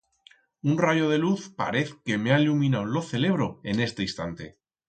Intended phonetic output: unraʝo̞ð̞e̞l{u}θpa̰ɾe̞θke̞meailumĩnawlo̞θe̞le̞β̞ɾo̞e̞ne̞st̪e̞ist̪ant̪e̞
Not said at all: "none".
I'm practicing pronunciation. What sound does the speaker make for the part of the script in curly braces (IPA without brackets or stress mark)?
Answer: u